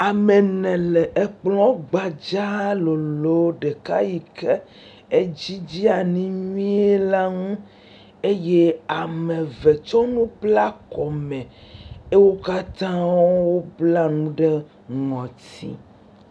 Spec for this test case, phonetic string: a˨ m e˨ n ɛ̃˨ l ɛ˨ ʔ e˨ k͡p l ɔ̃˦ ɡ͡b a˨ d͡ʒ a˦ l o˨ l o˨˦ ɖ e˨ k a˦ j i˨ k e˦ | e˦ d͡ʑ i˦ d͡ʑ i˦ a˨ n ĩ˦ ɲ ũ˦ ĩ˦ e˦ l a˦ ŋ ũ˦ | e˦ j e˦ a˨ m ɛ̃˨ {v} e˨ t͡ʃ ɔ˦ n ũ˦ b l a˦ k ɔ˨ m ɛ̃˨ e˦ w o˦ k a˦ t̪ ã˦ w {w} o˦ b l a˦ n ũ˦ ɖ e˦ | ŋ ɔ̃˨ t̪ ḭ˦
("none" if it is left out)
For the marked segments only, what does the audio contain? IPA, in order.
v, w

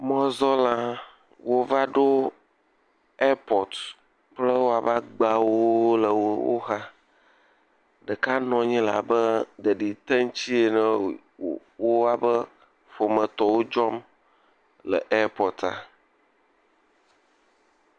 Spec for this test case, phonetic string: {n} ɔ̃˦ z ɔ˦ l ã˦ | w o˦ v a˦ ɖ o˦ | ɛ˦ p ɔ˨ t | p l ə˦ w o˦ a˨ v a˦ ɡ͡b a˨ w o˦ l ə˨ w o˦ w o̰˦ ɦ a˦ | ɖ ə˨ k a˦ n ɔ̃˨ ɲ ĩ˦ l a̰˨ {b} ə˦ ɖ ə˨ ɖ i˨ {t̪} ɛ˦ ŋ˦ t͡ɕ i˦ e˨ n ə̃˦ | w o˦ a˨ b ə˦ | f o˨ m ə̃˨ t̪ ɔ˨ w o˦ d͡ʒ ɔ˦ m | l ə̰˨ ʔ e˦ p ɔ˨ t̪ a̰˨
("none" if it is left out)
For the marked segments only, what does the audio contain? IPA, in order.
m, b, t̪

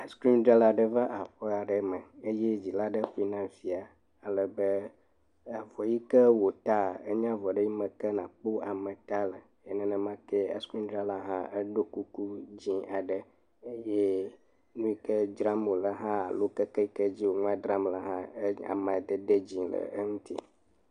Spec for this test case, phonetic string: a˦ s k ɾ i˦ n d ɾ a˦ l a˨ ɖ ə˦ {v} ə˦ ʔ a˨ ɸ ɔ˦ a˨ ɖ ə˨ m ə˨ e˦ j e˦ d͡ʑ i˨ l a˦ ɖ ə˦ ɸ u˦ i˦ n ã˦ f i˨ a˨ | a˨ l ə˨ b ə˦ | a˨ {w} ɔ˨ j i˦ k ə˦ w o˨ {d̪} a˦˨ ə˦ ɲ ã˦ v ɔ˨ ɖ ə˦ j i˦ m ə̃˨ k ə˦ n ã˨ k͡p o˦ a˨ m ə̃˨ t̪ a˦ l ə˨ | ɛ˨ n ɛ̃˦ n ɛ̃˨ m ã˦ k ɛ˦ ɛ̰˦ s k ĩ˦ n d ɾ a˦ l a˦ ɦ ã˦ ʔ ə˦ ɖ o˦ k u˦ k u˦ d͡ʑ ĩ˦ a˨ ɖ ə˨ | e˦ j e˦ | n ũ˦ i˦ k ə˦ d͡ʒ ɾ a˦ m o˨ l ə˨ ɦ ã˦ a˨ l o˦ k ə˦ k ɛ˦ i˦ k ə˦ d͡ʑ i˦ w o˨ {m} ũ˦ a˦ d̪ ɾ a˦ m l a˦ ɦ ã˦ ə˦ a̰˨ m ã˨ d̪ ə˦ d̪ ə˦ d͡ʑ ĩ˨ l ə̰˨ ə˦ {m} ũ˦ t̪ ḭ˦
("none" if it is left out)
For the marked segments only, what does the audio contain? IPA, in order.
v, v, t̪, ŋ, ŋ

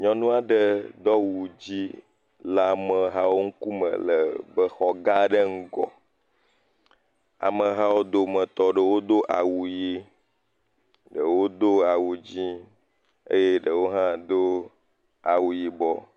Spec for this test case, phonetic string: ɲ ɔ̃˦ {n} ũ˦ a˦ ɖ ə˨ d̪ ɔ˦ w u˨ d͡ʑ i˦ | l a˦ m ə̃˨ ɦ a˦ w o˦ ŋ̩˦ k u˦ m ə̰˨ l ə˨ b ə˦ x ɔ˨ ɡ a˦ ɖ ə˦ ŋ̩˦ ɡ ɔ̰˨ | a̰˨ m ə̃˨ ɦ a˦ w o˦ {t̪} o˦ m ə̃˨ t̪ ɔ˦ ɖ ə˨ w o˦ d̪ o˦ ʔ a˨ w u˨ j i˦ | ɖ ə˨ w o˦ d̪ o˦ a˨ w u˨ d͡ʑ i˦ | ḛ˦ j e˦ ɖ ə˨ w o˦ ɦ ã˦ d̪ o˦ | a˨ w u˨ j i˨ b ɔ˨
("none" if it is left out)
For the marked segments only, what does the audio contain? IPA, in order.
n, d̪

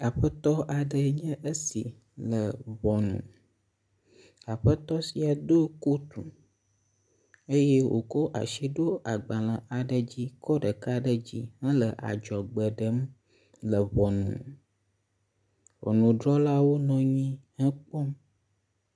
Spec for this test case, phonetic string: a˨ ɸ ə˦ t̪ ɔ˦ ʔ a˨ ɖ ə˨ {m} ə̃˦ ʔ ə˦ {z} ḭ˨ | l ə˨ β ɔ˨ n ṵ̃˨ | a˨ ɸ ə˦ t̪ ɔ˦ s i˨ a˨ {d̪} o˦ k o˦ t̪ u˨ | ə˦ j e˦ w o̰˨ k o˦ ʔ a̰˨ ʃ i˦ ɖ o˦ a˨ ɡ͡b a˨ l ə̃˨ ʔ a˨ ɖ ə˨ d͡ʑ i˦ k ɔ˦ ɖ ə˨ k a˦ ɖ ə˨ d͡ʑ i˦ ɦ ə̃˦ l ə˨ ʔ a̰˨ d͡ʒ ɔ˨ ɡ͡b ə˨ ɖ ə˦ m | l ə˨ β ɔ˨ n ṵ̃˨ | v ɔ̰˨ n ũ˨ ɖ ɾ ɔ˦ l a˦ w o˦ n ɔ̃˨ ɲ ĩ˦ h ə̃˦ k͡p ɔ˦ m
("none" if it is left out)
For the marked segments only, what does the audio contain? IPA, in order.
ɲ, s, d̪

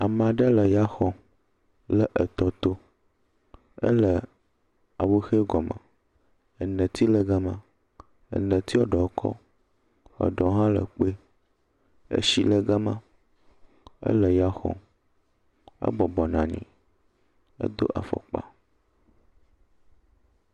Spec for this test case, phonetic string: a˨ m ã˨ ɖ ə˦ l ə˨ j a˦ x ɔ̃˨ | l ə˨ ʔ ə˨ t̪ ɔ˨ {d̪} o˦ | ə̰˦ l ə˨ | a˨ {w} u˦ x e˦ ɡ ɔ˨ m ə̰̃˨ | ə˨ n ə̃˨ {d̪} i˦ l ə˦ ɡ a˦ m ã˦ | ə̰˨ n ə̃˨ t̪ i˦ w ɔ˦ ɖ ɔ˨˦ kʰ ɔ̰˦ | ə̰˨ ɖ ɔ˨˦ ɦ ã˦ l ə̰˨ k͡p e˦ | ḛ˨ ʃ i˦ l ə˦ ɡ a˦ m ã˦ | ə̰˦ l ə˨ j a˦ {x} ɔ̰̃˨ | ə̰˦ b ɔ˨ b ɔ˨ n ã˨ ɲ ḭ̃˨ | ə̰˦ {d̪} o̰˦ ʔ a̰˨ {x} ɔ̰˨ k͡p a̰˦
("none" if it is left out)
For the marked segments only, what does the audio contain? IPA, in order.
t̪, w, t̪, x, d̪, f

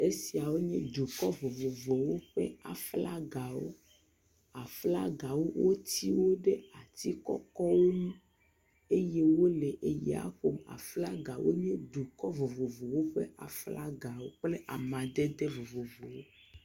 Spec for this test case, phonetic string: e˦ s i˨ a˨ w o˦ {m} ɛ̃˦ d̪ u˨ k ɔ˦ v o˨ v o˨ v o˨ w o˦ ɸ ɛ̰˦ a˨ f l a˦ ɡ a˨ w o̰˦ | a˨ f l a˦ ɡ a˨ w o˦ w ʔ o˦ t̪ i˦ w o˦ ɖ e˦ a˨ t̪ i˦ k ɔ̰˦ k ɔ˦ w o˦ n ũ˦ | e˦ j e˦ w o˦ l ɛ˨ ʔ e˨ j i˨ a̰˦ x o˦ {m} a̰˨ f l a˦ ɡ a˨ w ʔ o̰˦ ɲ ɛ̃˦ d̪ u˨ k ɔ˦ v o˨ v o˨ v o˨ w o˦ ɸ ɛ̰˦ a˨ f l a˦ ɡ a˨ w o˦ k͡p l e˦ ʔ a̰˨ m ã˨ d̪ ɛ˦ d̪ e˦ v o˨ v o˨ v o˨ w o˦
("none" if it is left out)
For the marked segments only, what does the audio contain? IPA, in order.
ɲ, m

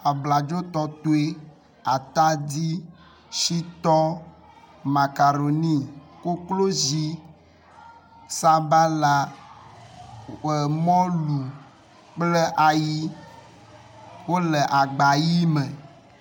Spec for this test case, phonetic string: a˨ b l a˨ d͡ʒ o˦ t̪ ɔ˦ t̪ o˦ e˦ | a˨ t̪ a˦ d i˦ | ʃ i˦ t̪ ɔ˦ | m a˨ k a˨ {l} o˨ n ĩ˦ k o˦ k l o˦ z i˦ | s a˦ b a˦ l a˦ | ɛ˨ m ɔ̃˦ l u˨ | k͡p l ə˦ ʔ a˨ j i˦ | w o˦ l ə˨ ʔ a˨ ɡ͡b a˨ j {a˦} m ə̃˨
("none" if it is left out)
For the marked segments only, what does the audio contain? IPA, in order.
ɾ, i˦

